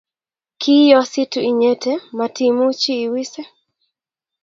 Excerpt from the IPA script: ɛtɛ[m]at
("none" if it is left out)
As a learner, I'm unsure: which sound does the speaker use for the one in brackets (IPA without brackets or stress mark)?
m